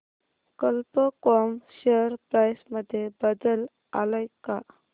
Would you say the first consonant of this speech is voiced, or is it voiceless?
voiceless